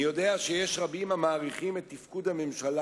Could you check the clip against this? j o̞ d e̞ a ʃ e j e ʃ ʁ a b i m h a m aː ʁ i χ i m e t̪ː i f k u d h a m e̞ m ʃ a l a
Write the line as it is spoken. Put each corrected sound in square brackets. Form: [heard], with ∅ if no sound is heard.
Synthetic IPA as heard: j o̞ d e̞ a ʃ e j e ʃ ʁ a b i m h a m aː ʁ i χ i m e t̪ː i f k u d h a m e̞ m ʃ a l a